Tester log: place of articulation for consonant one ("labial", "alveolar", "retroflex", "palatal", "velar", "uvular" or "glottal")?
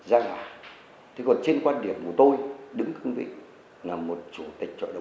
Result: alveolar